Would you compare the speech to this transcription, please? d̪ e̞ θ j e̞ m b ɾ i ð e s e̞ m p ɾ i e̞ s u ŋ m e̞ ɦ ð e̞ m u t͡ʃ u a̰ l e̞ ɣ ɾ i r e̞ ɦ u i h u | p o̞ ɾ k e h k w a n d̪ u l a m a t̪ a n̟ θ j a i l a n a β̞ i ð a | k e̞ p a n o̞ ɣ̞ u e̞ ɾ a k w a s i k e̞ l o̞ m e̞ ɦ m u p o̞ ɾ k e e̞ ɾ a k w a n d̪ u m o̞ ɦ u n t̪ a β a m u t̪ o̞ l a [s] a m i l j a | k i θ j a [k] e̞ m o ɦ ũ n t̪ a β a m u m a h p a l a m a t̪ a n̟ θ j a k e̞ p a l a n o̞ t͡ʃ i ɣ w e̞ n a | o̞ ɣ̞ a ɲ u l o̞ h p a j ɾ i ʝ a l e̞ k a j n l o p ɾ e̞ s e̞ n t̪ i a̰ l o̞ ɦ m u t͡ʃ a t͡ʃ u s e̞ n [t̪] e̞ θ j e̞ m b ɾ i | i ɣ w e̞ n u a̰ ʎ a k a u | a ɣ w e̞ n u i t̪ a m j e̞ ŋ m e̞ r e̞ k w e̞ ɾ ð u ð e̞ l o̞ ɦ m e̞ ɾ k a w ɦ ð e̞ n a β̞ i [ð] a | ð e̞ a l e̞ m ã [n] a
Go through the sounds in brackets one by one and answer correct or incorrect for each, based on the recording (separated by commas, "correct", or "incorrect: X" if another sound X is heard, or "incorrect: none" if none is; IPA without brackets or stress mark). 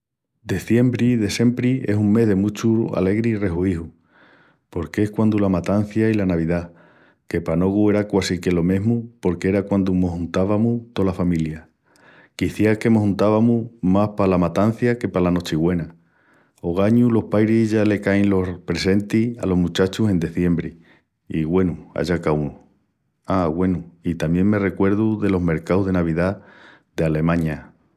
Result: incorrect: f, correct, incorrect: d̪, correct, incorrect: ɲ